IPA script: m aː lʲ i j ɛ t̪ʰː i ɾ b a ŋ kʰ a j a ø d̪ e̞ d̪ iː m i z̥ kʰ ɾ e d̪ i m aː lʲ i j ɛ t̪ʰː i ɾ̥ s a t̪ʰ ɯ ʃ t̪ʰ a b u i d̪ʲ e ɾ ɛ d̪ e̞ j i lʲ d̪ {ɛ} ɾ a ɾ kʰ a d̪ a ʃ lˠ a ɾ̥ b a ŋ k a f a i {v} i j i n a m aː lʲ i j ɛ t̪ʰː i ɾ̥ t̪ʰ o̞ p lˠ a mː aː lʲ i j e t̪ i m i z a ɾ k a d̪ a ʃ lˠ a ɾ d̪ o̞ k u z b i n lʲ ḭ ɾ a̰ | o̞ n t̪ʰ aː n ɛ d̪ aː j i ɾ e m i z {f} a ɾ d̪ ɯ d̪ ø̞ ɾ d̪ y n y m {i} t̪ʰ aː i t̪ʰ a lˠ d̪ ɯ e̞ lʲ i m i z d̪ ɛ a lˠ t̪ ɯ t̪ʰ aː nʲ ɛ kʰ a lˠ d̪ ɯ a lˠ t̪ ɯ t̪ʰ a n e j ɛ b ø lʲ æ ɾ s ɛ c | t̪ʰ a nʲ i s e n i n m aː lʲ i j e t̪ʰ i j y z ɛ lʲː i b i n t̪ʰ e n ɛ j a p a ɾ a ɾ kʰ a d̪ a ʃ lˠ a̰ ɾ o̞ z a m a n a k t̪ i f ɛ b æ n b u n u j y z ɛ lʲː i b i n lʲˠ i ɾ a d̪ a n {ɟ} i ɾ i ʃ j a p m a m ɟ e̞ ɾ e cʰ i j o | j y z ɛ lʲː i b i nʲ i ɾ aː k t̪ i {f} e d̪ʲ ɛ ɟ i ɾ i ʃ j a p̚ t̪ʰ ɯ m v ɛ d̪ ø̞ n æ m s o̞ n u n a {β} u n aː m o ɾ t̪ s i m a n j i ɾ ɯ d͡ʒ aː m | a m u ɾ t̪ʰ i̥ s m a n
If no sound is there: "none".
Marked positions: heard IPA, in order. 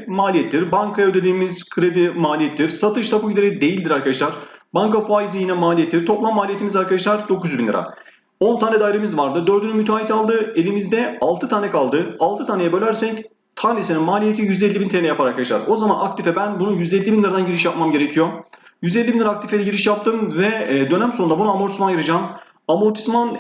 i, z, v, y, ɟ, f, b

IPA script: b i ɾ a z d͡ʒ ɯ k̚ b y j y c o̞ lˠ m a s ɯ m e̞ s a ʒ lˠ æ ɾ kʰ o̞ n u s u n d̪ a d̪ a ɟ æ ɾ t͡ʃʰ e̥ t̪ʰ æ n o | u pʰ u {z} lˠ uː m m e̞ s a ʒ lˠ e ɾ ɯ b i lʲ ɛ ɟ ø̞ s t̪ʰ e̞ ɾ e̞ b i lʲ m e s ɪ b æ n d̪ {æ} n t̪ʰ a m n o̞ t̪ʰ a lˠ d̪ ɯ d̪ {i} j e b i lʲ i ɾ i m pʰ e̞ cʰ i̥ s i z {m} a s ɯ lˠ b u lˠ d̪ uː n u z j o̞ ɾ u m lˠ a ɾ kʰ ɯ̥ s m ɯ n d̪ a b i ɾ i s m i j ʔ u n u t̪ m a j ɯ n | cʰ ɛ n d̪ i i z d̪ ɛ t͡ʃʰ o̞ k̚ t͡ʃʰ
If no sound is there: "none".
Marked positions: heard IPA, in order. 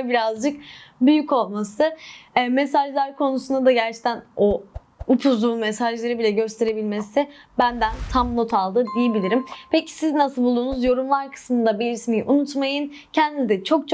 z, æ, i, n

